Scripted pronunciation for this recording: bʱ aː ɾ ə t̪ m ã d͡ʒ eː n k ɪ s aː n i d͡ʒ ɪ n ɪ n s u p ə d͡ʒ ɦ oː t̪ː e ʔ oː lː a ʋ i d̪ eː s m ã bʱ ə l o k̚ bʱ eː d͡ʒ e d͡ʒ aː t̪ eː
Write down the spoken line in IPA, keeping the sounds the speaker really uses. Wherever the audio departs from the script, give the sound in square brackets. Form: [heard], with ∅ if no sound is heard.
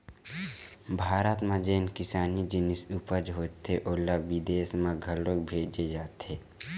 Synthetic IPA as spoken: bʱ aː ɾ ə t̪ m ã d͡ʒ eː n k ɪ s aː n i d͡ʒ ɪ n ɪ [∅] s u p ə d͡ʒ ɦ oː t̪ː e ʔ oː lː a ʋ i d̪ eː s m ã [ɡʱ] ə l o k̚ bʱ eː d͡ʒ e d͡ʒ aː t̪ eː